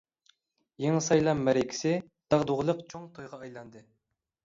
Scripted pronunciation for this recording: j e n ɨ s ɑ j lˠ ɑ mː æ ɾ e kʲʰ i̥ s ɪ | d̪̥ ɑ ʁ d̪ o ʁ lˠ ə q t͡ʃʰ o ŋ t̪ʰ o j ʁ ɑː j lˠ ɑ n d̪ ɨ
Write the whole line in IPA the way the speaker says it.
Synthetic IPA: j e ŋ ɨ s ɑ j lˠ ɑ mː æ ɾ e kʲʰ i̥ s ɪ | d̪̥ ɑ ʁ d̪ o ʁ lˠ ə q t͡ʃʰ o ŋ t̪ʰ o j ʁ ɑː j lˠ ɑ n d̪ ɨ